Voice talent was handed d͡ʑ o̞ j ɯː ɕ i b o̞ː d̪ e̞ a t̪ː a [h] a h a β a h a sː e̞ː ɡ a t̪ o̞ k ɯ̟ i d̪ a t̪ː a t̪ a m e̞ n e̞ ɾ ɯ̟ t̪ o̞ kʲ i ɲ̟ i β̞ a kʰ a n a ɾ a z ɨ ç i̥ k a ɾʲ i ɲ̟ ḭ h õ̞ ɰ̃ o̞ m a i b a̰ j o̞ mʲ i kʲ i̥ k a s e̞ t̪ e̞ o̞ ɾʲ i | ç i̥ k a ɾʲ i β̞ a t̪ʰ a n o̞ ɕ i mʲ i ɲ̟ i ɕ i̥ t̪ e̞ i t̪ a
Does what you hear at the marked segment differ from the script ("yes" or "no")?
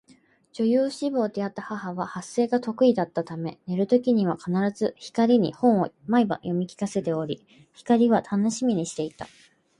no